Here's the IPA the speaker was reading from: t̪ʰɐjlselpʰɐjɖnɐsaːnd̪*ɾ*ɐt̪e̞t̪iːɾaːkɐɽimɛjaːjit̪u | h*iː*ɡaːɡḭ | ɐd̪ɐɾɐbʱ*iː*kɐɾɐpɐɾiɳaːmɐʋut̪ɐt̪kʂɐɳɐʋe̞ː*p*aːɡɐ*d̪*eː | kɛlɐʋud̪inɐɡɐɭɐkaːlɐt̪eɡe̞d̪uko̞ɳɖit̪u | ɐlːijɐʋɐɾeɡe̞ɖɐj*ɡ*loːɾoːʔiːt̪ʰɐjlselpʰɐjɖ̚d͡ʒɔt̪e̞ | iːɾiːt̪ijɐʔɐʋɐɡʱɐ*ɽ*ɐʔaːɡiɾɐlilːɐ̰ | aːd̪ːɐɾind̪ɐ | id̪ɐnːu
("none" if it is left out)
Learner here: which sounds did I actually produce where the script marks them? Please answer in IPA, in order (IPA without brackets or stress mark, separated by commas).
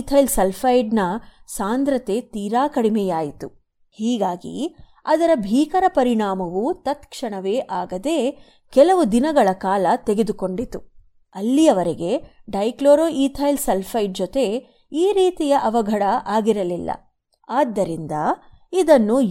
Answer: ɾ, iː, iː, ʔ, d̪, k, ɽ